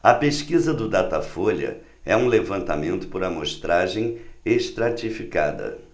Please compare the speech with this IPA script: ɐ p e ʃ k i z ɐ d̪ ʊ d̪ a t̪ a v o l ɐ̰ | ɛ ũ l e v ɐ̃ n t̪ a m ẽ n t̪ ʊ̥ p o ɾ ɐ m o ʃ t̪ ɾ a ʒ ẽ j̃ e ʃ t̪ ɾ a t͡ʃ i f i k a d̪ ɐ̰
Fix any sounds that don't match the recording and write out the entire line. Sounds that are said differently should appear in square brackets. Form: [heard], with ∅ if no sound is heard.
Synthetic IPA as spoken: ɐ p e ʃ k i z ɐ d̪ ʊ d̪ a t̪ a [f] o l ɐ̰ | ɛ ũ l e v ɐ̃ n t̪ a m ẽ n t̪ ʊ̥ p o ɾ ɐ m o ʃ t̪ ɾ a ʒ ẽ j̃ e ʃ t̪ ɾ a t͡ʃ i f i k a d̪ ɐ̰